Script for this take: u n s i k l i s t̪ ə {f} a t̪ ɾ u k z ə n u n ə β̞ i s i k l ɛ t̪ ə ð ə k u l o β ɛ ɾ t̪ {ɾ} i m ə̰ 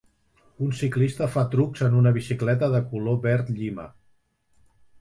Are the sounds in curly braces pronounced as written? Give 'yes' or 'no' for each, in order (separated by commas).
yes, no